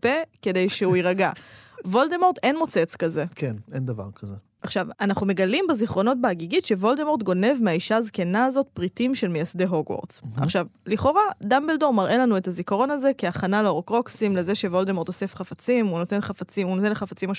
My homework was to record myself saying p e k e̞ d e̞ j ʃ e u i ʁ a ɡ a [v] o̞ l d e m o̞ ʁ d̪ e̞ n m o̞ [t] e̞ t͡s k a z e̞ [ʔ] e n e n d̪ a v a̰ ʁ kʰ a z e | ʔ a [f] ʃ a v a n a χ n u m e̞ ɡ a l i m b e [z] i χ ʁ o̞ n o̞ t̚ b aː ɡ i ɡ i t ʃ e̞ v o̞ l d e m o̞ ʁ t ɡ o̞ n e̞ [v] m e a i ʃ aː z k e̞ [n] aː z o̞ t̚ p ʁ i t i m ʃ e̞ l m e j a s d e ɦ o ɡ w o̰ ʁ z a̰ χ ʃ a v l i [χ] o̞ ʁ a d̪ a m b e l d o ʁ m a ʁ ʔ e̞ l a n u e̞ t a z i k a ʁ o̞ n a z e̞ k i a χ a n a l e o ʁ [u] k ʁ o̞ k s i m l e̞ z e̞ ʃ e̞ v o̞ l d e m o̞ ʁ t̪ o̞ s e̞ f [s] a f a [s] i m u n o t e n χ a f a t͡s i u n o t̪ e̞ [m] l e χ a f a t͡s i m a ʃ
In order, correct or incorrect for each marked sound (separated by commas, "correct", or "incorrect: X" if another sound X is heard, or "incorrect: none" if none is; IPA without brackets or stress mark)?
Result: correct, incorrect: t͡s, incorrect: k, incorrect: χ, correct, correct, correct, correct, incorrect: o, incorrect: χ, incorrect: t͡s, incorrect: n